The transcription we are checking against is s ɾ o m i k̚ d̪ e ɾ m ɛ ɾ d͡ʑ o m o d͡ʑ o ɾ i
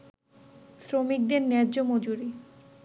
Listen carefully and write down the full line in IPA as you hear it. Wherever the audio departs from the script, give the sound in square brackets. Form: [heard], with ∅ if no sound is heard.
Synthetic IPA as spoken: s ɾ o m i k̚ d̪ e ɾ [n] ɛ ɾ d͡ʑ o m o d͡ʑ [u] ɾ i